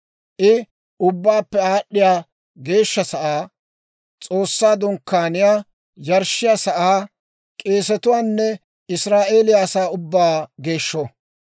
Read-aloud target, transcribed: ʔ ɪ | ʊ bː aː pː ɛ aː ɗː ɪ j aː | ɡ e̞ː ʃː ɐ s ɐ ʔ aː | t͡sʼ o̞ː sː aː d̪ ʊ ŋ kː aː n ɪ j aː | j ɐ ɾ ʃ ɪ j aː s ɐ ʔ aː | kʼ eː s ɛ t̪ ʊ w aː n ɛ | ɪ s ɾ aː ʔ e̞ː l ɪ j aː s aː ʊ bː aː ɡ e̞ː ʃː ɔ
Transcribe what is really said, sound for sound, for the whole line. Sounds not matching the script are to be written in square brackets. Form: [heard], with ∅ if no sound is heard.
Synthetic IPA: ʔ ɪ | ʊ bː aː pː ɛ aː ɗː ɪ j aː | ɡ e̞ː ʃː ɐ s ɐ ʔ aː | t͡sʼ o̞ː sː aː d̪ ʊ ŋ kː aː n ɪ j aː | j ɐ ɾ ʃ ɪ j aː s ɐ ʔ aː | kʼ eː s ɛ t̪ ʊ w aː [nː] ɛ | ɪ s ɾ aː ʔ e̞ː l ɪ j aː s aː ʊ bː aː ɡ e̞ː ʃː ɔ